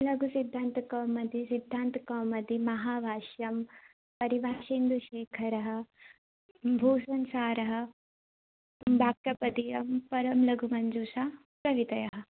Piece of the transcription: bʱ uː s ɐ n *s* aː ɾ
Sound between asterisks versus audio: correct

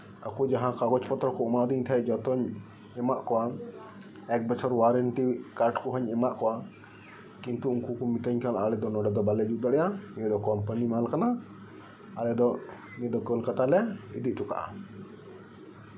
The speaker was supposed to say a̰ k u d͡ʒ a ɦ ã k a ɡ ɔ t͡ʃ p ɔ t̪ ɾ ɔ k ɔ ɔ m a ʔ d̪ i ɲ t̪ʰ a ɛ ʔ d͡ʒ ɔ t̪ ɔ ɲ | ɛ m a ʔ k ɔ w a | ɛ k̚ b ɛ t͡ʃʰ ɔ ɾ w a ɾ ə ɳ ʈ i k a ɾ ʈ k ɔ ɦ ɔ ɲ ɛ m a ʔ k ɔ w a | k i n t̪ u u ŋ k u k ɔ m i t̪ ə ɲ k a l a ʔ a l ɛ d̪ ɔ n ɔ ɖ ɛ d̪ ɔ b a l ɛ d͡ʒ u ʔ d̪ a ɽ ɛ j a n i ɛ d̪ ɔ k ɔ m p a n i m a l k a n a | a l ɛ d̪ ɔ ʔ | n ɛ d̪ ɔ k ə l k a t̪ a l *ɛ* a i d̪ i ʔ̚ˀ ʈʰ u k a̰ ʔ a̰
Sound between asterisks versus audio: correct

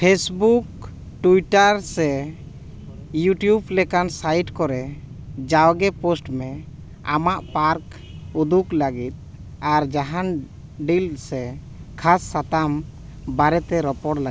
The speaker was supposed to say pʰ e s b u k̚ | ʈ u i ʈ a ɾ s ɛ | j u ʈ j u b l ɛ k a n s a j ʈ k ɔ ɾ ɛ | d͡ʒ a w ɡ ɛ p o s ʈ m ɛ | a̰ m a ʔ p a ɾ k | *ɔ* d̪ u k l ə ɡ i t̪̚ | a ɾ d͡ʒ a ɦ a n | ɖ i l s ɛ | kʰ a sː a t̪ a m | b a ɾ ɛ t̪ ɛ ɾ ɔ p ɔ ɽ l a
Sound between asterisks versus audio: incorrect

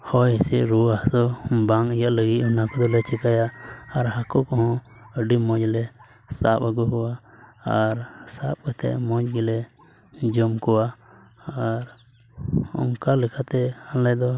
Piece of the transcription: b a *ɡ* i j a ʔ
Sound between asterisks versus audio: incorrect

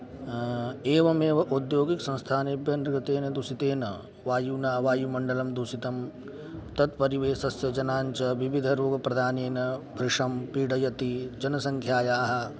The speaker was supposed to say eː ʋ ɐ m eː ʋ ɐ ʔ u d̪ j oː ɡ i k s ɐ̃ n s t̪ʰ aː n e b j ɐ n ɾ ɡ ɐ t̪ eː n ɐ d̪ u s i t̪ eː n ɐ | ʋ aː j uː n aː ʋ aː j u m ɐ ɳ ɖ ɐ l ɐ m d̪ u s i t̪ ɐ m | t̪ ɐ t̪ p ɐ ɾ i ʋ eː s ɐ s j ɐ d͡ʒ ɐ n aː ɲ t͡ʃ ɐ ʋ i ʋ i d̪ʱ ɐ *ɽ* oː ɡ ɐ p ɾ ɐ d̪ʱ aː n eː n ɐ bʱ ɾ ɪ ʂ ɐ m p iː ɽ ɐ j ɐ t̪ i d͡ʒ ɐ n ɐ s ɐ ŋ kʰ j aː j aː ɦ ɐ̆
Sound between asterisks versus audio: incorrect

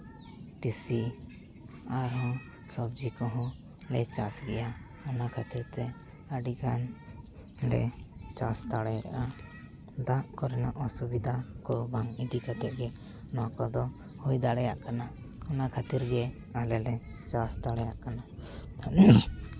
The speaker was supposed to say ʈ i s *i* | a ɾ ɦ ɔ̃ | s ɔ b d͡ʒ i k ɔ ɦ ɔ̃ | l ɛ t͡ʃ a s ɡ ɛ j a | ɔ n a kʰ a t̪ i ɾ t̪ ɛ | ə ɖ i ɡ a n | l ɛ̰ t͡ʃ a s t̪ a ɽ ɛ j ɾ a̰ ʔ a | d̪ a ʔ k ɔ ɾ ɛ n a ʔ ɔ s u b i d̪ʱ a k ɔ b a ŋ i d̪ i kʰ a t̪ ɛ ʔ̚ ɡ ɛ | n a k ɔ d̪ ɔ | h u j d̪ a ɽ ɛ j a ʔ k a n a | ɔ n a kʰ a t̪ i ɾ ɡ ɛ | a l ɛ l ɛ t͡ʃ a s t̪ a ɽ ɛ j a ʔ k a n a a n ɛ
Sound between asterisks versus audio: correct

